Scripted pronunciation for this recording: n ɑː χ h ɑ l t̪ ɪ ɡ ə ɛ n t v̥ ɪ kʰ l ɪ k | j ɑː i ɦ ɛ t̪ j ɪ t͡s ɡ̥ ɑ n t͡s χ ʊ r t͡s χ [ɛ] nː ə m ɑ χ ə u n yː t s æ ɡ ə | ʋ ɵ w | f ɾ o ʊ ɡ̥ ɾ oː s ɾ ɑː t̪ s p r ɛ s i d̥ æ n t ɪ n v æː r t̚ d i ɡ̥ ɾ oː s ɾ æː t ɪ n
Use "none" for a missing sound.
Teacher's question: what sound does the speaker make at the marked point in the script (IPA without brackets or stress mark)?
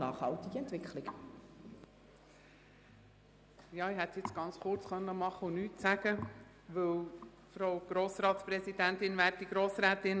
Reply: œ